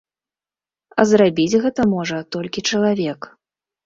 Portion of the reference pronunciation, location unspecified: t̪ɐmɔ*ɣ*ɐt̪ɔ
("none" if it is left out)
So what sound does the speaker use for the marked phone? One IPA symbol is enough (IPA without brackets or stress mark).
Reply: ʐ